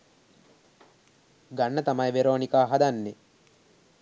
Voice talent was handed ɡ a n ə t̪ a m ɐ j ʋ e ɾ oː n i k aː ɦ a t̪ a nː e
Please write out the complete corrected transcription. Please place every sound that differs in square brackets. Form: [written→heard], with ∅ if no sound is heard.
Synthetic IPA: ɡ a [n→nː] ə t̪ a m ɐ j ʋ e ɾ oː n i k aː ɦ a [t̪→d̪] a nː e